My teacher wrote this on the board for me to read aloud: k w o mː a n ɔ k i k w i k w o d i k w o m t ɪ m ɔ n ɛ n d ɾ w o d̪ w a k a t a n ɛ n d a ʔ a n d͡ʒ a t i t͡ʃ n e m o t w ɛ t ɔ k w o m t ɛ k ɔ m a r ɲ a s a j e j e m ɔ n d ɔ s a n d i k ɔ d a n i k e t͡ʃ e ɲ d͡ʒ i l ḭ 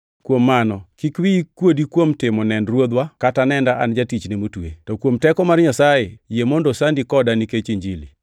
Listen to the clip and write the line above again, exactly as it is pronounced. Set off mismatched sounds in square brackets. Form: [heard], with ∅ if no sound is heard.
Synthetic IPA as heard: k w o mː a n ɔ k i k w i k w o d i k w o m t ɪ m ɔ n ɛ n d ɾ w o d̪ w a k a t a n ɛ n d a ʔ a n d͡ʒ a t i t͡ʃ n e m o t w [e] t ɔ k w o m t ɛ k ɔ m a r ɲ a s a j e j e m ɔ n d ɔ s a n d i k ɔ d a n i k e t͡ʃ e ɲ d͡ʒ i l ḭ